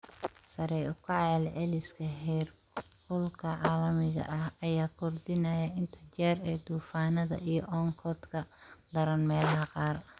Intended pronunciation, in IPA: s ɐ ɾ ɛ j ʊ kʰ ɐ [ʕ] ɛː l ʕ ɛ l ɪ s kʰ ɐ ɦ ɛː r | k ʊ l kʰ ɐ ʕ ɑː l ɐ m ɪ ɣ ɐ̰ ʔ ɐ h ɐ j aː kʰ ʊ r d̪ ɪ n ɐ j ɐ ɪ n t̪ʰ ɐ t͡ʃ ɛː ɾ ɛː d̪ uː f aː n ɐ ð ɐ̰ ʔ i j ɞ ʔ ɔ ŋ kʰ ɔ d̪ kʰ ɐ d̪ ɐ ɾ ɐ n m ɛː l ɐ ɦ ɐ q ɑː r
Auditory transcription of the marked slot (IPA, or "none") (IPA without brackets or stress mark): ʕ